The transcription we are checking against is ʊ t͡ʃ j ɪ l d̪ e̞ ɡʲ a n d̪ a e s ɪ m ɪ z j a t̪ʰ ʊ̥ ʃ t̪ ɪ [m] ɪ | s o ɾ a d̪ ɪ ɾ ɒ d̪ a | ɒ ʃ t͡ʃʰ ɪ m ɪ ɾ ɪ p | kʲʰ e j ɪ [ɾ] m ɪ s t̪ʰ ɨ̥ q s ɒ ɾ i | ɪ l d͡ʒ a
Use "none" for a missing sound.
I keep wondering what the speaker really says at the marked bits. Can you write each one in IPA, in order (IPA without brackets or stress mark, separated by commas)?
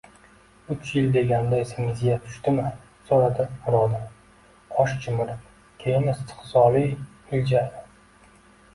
m, none